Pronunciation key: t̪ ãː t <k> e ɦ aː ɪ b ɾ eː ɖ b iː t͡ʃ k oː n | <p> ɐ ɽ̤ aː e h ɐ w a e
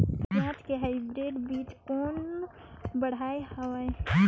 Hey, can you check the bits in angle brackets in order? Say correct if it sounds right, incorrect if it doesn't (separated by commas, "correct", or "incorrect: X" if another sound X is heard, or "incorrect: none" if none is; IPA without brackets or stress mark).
correct, incorrect: b